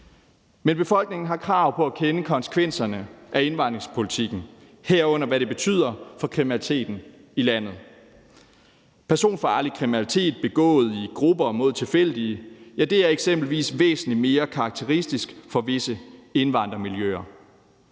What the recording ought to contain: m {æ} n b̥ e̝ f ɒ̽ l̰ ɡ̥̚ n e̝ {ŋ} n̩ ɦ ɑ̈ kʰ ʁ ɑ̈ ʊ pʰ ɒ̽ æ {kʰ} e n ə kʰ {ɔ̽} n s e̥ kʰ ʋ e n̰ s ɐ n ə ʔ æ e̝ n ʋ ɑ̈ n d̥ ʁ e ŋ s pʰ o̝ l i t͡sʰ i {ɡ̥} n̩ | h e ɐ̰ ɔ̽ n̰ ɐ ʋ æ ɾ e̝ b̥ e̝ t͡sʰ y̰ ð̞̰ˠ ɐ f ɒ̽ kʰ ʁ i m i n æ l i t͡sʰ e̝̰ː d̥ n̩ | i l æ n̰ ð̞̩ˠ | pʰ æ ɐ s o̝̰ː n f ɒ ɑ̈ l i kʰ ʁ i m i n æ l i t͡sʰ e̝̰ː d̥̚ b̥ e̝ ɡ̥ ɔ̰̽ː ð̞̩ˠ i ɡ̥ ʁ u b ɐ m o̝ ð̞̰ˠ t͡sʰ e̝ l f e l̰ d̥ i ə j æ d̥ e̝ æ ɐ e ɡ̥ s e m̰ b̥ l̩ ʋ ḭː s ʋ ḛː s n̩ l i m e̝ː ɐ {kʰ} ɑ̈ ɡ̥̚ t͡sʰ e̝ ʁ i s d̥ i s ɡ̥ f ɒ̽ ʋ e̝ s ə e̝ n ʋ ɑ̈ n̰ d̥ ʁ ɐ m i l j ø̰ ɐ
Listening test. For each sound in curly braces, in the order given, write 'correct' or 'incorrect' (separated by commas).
incorrect, correct, correct, incorrect, correct, correct